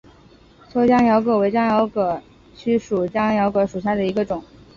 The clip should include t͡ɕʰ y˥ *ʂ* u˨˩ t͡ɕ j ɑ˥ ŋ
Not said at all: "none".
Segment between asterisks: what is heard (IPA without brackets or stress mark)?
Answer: ʂ